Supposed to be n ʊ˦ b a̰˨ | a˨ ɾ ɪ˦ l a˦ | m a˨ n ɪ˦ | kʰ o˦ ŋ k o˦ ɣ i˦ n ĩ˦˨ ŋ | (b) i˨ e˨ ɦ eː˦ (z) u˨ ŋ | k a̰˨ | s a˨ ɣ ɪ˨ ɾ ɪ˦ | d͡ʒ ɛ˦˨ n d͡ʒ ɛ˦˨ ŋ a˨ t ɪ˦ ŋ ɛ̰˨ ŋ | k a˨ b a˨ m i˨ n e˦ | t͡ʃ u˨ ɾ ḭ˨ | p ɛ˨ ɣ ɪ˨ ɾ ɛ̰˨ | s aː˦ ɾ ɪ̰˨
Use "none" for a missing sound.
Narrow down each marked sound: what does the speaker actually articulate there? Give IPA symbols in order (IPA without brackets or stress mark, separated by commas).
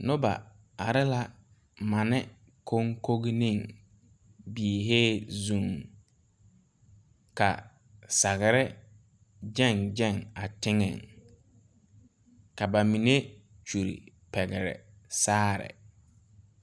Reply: b, z